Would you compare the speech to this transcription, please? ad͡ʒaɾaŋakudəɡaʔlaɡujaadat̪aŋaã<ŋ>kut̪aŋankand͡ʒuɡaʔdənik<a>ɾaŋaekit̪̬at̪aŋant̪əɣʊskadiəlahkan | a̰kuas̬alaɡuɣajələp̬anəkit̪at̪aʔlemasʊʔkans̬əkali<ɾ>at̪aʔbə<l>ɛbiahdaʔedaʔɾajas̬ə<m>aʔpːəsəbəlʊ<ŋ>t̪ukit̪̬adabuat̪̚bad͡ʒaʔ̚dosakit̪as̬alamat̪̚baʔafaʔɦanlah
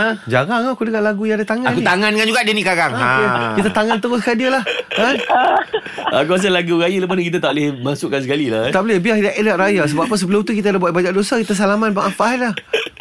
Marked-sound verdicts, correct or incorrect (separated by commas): incorrect, correct, incorrect, correct, incorrect, incorrect